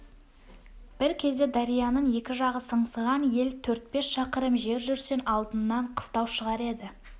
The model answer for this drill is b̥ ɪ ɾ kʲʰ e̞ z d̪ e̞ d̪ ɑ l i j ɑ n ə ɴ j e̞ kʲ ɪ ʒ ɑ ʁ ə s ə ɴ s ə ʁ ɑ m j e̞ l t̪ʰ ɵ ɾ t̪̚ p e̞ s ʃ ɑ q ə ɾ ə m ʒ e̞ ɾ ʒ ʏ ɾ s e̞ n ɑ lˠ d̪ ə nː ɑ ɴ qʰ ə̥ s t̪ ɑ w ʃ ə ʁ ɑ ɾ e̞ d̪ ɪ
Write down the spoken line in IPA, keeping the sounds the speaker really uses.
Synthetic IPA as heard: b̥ ɪ ɾ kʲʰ e̞ z d̪ e̞ d̪ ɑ ɾ i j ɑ n ə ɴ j e̞ kʲ ɪ ʒ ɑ ʁ ə s ə ɴ s ə ʁ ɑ n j e̞ l t̪ʰ ɵ ɾ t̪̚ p e̞ s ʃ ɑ q ə ɾ ə m ʒ e̞ ɾ ʒ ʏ ɾ s e̞ n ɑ lˠ d̪ ə nː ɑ ɴ qʰ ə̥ s t̪ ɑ w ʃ ə ʁ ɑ ɾ e̞ d̪ ɪ